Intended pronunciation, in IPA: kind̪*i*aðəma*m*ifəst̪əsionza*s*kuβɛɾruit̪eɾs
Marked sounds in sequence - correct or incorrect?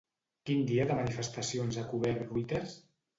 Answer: correct, incorrect: n, incorrect: none

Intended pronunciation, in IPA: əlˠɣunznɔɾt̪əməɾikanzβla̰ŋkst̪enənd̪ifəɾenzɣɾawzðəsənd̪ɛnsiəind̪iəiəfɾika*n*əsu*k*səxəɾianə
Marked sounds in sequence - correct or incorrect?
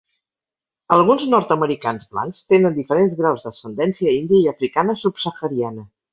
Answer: correct, incorrect: p

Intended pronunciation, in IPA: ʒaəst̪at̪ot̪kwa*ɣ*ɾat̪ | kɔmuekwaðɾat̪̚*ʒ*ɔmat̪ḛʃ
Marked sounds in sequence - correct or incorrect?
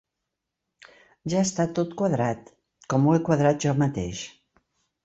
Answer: incorrect: ð, correct

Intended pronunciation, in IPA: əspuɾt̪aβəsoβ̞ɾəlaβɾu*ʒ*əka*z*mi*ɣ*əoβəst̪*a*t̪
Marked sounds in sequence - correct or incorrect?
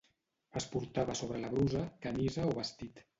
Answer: incorrect: z, incorrect: none, incorrect: z, incorrect: i

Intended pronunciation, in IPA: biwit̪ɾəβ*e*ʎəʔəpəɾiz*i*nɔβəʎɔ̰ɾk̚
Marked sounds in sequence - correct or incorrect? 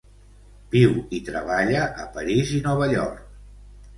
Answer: incorrect: a, correct

